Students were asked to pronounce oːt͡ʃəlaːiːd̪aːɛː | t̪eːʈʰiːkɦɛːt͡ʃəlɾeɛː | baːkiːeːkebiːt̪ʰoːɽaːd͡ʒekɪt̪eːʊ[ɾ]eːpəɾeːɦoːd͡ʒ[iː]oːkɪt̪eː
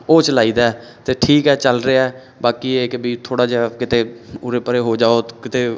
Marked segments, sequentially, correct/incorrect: correct, incorrect: aː

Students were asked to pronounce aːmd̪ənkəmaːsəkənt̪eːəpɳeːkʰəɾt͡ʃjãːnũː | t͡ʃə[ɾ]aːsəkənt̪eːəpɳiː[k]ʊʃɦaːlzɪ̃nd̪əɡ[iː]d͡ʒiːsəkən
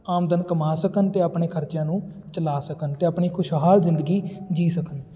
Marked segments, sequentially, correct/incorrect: incorrect: l, incorrect: kʰ, correct

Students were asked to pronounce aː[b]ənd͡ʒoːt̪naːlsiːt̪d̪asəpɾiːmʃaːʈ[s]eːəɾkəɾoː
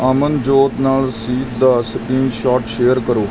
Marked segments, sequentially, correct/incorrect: incorrect: m, incorrect: ʃ

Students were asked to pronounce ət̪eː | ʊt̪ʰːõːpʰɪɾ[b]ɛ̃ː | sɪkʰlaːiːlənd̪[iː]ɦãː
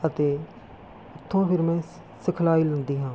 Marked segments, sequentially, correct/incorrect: incorrect: m, correct

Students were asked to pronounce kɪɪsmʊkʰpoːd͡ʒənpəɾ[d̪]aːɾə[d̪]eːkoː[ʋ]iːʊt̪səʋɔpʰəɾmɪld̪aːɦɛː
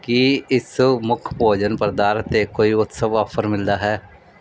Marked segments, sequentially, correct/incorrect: correct, incorrect: t̪, incorrect: none

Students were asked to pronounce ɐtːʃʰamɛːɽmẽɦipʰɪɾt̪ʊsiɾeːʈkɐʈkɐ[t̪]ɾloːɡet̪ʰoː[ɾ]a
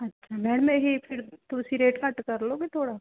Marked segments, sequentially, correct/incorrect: incorrect: none, incorrect: ɽ

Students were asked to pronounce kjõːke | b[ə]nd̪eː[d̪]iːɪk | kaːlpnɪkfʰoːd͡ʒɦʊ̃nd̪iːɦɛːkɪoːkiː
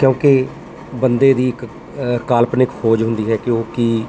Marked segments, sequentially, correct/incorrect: correct, correct

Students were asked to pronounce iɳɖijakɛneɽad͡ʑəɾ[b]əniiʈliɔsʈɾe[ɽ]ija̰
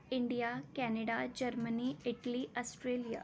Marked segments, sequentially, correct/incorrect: incorrect: m, incorrect: l

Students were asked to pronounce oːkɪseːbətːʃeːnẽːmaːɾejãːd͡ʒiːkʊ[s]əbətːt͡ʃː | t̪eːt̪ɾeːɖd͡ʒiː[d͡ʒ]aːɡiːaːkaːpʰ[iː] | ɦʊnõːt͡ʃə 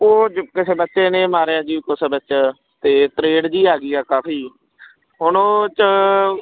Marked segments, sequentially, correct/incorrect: correct, incorrect: none, correct

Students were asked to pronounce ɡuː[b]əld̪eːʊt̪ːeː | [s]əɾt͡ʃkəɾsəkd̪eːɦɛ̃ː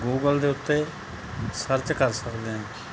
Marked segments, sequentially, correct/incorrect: incorrect: ɡ, correct

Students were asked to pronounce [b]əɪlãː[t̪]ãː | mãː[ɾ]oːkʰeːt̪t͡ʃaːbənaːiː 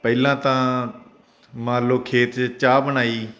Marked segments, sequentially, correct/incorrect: incorrect: p, correct, incorrect: l

